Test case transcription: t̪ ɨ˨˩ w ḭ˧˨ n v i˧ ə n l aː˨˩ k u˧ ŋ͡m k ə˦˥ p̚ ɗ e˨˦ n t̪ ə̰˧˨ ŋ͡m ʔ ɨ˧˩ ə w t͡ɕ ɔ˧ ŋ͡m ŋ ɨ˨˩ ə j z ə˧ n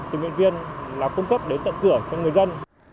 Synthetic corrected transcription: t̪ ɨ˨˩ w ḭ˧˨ n v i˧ ə n l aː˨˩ k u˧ ŋ͡m k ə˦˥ p̚ ɗ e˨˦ n t̪ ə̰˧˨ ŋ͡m k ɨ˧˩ ə t͡ɕ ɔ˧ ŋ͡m ŋ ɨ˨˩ ə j z ə˧ n